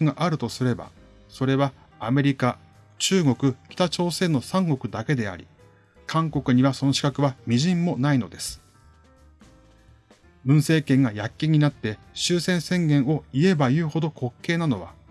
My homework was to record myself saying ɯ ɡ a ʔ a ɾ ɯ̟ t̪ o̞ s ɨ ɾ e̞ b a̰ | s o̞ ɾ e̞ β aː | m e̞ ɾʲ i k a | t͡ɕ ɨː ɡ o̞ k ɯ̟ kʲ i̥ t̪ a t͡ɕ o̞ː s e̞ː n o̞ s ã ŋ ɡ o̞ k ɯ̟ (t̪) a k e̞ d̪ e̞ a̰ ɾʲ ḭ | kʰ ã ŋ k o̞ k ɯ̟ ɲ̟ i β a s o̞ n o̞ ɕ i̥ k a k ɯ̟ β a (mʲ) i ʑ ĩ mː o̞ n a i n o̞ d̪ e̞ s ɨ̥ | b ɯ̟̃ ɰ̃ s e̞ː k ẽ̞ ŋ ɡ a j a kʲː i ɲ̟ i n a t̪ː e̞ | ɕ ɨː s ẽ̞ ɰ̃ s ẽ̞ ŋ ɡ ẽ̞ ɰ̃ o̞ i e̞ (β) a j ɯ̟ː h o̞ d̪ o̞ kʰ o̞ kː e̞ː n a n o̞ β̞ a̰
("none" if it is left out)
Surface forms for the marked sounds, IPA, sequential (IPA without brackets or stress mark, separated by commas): d̪, mʲ, b